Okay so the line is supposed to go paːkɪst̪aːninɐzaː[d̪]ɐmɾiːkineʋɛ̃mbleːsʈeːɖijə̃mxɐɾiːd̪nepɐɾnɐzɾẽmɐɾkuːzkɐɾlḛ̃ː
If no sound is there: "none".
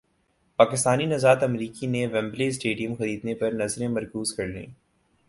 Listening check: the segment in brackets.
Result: t̪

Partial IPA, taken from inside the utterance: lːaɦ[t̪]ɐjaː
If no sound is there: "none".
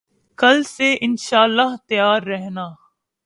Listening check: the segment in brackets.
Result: t̪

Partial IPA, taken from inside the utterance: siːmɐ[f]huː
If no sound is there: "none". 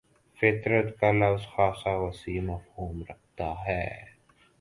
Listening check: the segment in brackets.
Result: f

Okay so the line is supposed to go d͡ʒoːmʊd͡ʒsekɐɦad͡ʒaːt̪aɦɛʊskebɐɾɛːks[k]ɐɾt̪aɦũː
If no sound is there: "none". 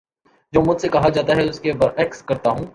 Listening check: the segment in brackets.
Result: k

